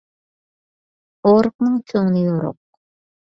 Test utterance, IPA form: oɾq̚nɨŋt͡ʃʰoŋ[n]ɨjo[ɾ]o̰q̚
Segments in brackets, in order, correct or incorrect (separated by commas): correct, correct